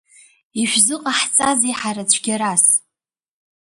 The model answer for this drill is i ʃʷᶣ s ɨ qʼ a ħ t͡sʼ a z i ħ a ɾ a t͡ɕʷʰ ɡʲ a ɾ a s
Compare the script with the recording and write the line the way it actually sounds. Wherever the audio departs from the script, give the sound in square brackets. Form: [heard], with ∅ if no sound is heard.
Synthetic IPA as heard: i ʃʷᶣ [z] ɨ qʼ a ħ t͡sʼ a z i ħ a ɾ a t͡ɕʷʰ ɡʲ a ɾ a s